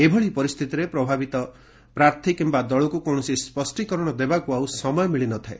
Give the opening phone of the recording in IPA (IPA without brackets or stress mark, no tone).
e